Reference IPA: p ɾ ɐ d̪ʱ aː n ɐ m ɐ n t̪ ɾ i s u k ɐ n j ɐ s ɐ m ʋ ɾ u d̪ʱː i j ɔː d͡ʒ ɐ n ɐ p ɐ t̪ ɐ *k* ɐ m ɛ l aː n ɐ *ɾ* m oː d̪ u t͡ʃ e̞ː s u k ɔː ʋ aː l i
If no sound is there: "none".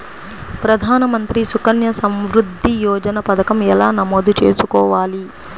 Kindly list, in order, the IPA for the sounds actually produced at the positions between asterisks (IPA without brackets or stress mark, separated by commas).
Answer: k, none